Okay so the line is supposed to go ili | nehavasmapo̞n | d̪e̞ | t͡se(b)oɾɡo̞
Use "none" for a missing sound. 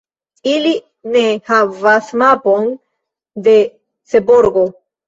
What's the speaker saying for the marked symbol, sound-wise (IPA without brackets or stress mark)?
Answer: b